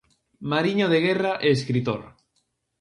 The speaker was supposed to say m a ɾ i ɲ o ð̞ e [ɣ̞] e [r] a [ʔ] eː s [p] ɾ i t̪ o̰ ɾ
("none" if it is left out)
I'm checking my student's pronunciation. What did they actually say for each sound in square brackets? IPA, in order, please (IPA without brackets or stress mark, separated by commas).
ɣ̞, r, ʔ, k